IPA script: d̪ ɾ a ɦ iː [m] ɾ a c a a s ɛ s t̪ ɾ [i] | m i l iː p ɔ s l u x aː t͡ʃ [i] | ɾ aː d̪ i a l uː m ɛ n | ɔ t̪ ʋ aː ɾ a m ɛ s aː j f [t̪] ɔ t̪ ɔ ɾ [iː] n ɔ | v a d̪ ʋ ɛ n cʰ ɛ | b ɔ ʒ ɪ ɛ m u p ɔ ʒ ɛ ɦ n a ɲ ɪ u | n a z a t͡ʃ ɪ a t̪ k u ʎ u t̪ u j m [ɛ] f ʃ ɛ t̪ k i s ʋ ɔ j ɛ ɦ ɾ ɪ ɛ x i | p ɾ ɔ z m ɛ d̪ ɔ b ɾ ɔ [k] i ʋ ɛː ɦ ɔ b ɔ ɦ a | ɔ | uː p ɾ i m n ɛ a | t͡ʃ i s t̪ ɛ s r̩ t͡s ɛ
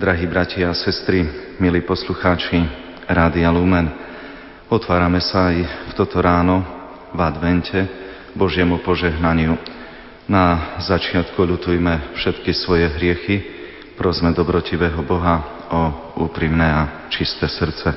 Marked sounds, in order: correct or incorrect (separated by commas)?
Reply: incorrect, correct, correct, correct, incorrect, correct, incorrect